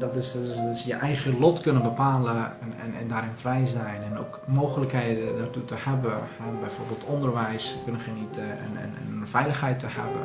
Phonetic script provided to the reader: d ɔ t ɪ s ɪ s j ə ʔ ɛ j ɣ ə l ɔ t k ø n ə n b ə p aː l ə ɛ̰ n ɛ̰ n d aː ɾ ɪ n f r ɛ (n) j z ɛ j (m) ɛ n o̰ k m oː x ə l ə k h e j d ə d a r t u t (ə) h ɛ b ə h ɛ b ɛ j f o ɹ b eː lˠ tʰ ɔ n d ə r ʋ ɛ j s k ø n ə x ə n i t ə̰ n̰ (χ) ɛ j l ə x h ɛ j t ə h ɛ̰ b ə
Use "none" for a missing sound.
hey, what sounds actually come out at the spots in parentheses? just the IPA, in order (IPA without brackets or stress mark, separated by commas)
none, n, ə, f